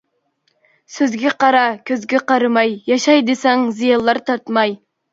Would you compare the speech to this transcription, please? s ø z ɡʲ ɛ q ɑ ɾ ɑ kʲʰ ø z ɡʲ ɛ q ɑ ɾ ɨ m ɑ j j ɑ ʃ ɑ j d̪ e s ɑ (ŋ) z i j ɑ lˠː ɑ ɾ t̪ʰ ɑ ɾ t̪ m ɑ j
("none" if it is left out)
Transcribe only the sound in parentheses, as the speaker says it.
ŋ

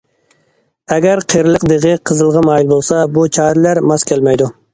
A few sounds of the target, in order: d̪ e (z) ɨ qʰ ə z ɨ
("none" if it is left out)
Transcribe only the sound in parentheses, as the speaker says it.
ʁ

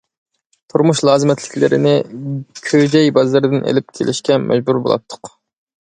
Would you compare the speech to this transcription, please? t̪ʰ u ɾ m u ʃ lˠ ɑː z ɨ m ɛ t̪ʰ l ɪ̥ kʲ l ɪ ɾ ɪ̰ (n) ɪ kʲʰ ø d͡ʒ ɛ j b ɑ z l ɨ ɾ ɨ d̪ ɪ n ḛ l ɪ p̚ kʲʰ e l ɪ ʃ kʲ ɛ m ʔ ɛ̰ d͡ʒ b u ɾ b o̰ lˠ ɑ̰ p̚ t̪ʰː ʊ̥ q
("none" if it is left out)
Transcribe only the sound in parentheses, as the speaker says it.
n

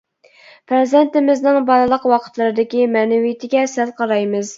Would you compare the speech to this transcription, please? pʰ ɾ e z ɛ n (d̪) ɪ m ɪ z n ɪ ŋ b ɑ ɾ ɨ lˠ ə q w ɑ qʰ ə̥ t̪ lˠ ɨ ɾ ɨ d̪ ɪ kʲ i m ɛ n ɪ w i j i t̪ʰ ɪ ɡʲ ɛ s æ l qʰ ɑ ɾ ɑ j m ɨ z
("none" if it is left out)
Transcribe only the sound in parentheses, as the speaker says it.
t̪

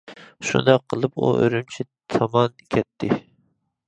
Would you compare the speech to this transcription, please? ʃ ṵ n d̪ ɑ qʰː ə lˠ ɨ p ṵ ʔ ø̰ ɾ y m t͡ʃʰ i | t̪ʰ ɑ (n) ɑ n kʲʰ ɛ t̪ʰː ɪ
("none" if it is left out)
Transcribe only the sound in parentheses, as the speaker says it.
m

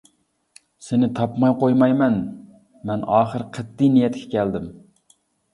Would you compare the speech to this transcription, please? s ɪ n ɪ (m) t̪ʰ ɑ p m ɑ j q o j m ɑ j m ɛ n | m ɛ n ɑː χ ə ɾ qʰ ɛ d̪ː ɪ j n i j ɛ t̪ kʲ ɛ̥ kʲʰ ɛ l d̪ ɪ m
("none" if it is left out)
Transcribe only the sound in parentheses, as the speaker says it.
none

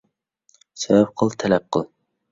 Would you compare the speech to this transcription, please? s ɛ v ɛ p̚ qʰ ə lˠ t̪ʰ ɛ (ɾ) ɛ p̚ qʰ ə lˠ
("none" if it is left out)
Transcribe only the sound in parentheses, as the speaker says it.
l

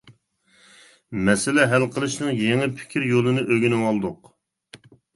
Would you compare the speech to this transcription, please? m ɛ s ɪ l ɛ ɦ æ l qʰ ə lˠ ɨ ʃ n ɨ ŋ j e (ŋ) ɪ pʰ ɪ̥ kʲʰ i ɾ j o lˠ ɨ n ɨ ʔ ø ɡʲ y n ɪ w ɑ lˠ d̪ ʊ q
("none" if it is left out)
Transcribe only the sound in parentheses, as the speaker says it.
ŋ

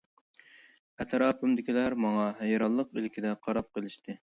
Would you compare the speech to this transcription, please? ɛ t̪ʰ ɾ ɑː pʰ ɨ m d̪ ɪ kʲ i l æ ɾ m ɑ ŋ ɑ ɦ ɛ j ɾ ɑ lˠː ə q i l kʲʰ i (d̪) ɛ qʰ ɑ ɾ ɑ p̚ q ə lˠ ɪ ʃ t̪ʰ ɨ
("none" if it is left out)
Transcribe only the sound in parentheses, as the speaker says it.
d̪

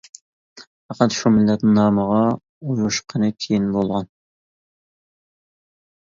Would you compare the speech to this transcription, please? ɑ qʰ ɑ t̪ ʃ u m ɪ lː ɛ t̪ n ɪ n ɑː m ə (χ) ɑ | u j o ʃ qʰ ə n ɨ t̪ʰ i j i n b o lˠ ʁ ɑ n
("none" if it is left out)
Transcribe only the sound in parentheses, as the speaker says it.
ʁ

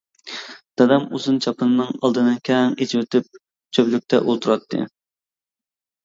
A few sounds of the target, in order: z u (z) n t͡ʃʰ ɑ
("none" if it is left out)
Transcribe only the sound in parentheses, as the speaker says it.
none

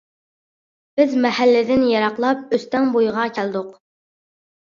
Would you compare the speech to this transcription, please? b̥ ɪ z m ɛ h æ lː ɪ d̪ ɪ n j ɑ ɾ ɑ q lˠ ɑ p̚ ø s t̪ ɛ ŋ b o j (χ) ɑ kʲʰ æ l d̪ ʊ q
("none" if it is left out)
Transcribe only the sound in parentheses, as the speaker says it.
ʁ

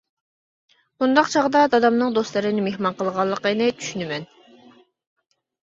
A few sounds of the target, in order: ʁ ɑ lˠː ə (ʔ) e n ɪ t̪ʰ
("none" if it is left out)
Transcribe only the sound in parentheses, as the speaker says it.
q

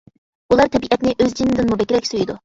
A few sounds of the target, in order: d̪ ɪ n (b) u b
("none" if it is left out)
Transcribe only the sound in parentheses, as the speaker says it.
m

